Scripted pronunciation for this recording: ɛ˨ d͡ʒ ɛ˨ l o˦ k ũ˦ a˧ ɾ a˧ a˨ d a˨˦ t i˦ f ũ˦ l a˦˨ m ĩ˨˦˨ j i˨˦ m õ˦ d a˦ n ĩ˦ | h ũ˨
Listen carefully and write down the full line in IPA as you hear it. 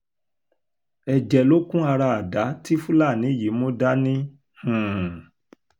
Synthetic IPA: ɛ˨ d͡ʒ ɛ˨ l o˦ k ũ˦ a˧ ɾ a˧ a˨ d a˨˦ t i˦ f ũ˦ l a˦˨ n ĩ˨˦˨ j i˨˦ m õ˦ d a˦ n ĩ˦ | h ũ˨